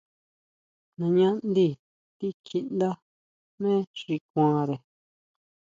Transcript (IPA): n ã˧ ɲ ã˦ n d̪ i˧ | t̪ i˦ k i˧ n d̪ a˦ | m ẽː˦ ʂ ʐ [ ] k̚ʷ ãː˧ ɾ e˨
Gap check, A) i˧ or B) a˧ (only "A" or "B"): A